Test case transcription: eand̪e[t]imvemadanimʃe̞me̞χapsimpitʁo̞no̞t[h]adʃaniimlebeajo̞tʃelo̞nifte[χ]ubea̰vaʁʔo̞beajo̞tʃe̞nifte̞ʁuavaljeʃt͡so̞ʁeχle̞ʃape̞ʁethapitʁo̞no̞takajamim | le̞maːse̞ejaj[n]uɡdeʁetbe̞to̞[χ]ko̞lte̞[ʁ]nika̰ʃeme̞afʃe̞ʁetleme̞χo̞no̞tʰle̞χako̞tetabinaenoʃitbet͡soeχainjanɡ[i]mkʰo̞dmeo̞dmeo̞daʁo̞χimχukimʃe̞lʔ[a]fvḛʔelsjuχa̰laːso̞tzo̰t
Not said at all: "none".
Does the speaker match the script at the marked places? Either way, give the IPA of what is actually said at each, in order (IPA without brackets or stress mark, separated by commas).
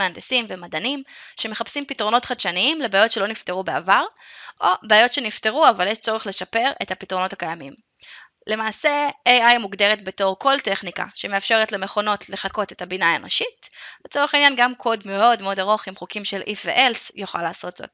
s, χ, ʁ, m, ʁ, χ, a, i